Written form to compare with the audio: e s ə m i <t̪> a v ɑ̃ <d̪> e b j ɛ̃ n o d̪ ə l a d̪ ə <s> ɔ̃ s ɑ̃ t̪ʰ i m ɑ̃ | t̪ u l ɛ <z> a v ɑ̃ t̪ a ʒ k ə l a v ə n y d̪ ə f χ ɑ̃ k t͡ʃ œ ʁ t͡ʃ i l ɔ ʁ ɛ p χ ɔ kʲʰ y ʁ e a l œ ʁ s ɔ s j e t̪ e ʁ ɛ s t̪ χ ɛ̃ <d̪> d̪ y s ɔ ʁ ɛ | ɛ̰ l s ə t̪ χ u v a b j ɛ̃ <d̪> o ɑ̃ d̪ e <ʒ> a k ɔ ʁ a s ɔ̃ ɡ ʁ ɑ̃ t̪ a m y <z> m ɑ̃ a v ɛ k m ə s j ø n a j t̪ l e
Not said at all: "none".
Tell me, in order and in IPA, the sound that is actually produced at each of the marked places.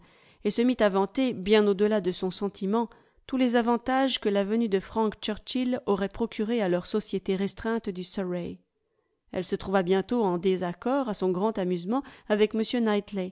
t̪, t̪, s, z, t̪, t̪, z, z

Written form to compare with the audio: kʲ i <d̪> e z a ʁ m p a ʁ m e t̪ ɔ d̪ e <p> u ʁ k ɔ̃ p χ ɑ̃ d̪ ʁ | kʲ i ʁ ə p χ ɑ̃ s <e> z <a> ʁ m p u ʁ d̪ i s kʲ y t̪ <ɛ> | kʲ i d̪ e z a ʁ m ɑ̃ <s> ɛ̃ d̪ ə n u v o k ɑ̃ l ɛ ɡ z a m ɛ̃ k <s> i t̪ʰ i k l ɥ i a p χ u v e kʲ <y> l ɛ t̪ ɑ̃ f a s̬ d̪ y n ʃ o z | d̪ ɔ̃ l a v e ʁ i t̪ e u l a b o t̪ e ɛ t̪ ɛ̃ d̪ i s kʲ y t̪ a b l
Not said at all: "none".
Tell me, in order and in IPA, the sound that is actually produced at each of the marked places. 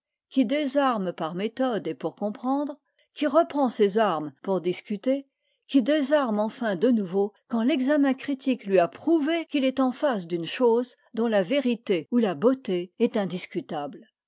d̪, p, e, a, e, f, χ, i

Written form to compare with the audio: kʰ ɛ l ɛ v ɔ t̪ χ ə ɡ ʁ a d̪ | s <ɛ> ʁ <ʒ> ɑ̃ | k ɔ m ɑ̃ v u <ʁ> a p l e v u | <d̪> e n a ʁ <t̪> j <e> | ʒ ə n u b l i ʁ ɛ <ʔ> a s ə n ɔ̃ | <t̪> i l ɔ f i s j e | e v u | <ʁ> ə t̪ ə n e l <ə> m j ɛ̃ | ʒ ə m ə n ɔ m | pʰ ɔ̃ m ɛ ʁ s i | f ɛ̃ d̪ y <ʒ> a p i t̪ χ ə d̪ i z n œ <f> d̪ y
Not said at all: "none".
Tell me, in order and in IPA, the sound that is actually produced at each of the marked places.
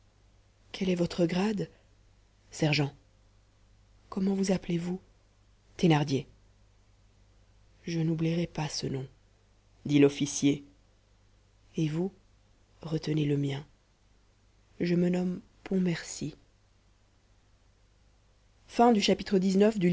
ɛ, ʒ, z, t̪, d̪, e, p, d̪, ʁ, ə, ʃ, f

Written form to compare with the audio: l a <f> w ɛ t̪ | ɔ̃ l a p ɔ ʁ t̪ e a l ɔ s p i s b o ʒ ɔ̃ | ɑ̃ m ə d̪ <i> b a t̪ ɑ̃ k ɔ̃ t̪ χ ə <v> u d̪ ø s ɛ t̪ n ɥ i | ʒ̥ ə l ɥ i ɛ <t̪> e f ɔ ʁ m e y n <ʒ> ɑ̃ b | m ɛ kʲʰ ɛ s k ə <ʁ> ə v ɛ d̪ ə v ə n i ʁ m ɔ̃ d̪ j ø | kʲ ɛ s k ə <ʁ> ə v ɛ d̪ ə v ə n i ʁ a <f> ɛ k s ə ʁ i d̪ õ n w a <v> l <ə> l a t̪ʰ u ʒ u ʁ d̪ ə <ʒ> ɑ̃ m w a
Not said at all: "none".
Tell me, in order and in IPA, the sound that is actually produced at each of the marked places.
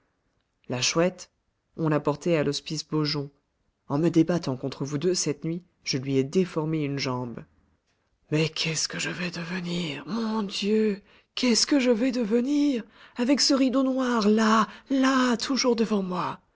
ʃ, e, v, d̪, ʒ, ʒ, ʒ, v, ʁ, a, v

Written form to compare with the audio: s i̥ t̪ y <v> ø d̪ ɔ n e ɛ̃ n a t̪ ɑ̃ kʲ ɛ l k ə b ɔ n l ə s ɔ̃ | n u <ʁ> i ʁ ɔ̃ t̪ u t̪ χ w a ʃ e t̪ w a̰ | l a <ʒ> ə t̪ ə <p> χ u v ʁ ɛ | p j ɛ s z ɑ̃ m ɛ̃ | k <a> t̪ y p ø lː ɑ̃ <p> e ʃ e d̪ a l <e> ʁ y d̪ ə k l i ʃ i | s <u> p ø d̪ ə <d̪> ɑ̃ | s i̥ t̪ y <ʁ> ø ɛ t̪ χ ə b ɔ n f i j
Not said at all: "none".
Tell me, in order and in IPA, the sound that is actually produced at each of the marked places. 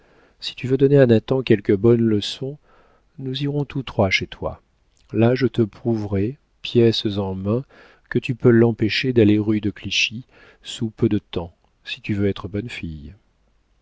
v, z, ʒ, p, ə, p, e, u, t̪, v

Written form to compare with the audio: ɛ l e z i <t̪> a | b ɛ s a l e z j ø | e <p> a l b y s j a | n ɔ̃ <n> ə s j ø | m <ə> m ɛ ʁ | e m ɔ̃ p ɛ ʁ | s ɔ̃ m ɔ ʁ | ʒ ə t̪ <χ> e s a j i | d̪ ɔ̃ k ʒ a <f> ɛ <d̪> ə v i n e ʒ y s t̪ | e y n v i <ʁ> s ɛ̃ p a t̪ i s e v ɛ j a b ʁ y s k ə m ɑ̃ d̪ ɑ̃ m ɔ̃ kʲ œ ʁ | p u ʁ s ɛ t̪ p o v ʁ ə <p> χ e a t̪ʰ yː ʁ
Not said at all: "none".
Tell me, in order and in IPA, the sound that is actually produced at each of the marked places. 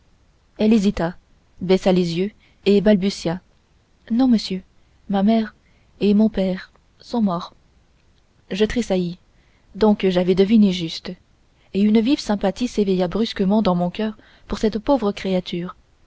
t̪, b, m, a, χ, v, d̪, v, k

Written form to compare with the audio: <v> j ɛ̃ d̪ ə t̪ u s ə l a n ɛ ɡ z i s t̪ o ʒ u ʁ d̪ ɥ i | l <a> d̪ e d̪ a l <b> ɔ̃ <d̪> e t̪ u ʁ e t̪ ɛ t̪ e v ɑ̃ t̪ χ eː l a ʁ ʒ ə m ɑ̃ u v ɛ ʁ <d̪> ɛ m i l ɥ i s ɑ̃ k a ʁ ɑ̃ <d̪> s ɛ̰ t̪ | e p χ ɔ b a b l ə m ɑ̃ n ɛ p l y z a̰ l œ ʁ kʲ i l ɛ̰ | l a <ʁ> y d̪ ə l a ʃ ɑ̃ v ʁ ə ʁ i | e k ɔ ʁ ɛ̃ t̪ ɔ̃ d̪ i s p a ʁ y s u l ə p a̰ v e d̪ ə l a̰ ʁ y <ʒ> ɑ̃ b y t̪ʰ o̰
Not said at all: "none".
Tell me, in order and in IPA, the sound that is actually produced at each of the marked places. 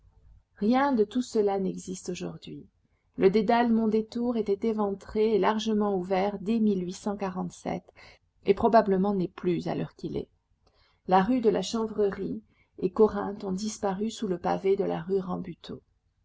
ʁ, ə, m, d̪, d̪, t̪, ʁ, ʁ

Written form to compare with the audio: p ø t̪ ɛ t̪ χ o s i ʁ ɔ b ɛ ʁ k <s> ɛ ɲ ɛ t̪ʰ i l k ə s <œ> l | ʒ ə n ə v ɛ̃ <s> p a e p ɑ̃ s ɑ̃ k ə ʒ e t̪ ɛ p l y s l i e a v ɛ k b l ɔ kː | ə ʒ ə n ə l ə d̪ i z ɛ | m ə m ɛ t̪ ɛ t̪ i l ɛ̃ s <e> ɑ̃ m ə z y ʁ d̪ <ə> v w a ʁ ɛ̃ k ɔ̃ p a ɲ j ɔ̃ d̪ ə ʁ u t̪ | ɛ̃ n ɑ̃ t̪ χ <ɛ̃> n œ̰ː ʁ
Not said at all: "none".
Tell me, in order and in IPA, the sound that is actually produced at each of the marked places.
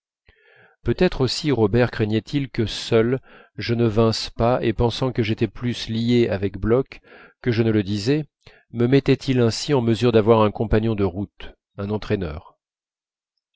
χ, œ, s, i, a, ɛ

